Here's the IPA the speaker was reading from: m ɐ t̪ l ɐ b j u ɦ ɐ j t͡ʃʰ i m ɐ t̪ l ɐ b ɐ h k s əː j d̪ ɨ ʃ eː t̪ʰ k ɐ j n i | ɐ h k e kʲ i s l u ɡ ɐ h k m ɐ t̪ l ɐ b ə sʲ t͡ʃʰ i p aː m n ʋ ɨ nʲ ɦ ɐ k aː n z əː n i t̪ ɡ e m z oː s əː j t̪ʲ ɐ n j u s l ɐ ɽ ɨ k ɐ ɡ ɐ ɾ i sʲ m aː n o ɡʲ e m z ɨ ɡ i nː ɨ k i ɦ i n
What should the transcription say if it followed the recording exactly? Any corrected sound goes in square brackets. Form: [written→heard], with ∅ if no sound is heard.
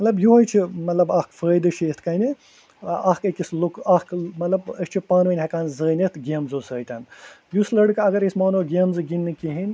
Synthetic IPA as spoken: m ɐ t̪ l ɐ b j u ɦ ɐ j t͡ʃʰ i m ɐ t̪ l ɐ b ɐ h k [s→f] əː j d̪ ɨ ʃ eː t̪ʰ k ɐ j n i | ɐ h k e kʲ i s l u [ɡ→k] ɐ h k m ɐ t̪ l ɐ b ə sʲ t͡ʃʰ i p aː [m→∅] n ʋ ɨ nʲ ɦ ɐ k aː n z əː n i t̪ ɡ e m z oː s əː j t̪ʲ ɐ n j u s l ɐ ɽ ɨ k ɐ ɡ ɐ ɾ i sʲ m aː n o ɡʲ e m z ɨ ɡ i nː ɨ k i ɦ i n